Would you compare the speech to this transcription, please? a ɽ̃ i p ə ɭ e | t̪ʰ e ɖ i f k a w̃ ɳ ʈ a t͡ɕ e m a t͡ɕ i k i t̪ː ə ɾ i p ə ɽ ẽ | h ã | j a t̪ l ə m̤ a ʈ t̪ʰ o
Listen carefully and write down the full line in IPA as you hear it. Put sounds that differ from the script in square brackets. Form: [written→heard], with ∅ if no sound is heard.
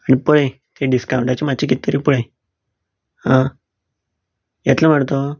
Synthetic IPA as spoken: a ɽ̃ i p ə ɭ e | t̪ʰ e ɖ i [f→s] k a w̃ ɳ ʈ a t͡ɕ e m a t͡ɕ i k i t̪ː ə ɾ i p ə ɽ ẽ | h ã | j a t̪ l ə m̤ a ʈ [t̪ʰ→t̪] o